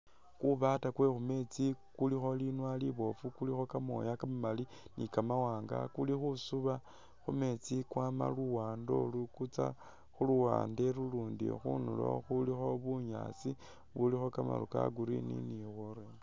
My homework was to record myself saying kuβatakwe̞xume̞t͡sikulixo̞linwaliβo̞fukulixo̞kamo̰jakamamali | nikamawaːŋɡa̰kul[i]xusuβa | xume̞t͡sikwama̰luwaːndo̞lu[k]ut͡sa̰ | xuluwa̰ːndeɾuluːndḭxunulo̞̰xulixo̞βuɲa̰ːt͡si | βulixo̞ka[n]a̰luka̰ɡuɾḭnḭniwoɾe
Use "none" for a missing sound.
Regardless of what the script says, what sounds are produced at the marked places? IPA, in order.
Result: i, k, m

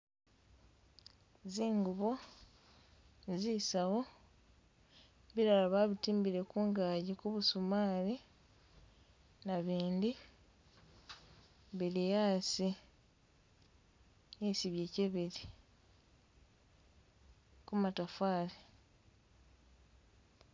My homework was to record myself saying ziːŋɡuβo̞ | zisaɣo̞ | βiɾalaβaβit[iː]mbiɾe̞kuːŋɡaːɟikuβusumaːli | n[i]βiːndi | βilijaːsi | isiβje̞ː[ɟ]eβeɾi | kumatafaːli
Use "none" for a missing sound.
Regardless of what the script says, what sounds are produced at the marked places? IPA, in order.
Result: iː, a, c

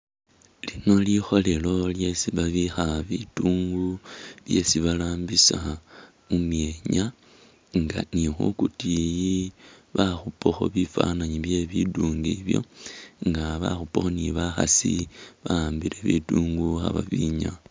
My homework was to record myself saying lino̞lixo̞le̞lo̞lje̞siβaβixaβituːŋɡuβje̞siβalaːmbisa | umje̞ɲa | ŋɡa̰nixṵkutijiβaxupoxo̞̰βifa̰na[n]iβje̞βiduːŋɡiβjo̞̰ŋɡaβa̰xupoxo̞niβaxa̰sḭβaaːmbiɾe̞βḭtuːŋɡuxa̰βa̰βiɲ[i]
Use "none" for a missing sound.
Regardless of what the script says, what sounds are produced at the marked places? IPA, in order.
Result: ɲ, a

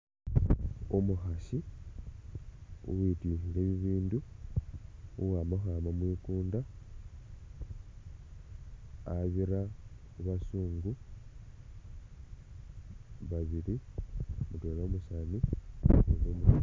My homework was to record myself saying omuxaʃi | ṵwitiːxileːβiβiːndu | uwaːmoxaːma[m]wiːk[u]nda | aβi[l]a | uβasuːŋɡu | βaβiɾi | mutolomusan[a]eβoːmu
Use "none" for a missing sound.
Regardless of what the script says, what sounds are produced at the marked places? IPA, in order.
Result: m, uː, ɾ, i

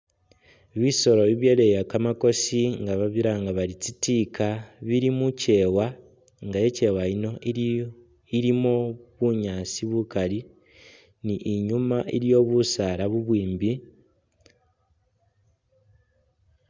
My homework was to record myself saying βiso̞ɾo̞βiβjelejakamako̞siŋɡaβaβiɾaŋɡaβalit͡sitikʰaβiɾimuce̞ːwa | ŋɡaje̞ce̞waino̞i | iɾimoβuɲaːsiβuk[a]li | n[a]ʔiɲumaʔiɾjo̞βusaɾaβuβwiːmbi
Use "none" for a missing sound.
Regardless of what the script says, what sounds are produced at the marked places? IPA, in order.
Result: a, i

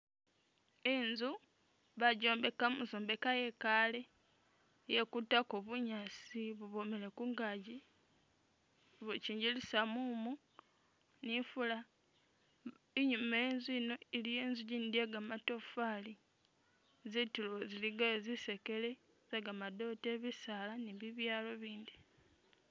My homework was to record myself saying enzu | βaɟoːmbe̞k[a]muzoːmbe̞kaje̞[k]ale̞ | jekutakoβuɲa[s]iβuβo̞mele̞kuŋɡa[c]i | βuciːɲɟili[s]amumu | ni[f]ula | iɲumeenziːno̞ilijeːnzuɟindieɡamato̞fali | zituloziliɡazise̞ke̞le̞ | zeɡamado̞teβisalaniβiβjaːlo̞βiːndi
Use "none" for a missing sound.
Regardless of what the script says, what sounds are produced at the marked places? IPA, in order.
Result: a, k, s, ɟ, s, f

